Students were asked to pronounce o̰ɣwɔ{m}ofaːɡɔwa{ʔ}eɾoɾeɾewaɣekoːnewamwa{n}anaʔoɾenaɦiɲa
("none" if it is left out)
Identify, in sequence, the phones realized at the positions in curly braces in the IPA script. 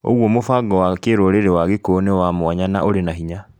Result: m, k, ɲ

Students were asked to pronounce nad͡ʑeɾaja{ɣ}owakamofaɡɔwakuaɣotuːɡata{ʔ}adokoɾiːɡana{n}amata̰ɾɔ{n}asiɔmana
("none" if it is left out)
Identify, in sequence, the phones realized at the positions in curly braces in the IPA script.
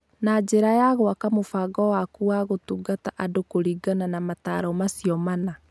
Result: ɣ, ʔ, n, m

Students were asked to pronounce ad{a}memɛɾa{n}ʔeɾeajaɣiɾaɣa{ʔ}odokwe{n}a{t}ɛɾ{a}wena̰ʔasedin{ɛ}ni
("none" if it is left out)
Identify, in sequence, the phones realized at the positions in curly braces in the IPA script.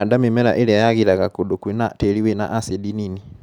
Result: a, none, k, n, t, i, i

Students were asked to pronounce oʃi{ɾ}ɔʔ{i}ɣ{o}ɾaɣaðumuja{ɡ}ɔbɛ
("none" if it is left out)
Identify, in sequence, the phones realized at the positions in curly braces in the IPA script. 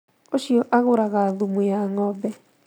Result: none, a, o, ŋ

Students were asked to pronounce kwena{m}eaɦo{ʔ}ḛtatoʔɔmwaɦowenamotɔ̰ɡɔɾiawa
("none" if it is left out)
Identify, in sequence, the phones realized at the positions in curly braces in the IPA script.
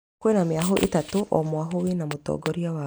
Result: m, ʔ

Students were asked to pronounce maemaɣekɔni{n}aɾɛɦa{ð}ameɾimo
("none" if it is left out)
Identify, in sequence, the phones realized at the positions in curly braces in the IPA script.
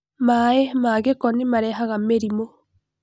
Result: m, ɣ

